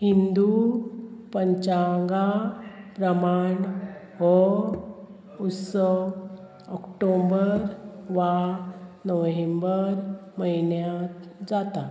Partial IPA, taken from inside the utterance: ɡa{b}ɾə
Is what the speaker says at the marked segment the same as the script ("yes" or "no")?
no